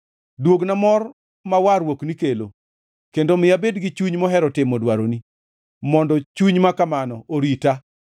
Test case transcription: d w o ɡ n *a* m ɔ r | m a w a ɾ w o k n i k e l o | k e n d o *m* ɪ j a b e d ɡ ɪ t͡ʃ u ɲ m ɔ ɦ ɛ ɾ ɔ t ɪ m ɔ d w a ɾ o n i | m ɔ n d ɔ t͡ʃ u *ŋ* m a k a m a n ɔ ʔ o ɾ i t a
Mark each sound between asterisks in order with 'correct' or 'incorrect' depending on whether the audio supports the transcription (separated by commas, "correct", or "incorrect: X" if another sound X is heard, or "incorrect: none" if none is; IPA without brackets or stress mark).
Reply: correct, correct, incorrect: ɲ